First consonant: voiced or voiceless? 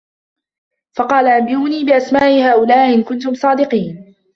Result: voiceless